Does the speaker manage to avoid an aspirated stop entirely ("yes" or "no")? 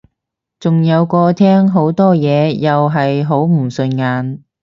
no